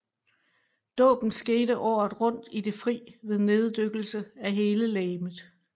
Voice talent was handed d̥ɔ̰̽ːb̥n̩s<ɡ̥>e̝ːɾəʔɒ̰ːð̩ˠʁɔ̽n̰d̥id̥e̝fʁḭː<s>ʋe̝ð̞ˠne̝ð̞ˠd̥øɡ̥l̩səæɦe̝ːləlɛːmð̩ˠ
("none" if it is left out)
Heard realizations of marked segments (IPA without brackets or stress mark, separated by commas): ɡ̥, none